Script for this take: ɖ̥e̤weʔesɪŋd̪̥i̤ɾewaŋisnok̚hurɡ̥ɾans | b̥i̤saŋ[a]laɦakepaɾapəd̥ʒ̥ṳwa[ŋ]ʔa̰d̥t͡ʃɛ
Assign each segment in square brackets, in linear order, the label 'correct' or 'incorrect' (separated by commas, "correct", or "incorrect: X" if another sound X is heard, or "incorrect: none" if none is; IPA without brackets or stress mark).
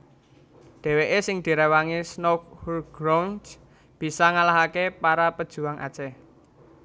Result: correct, correct